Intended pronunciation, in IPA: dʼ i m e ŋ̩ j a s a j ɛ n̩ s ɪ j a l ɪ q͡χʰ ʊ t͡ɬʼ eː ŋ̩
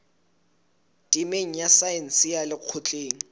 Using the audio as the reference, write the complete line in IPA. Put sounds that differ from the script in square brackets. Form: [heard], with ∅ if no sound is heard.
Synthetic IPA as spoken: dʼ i m e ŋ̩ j a s a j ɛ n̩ s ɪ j a l ɪ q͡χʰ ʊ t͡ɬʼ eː ŋ̩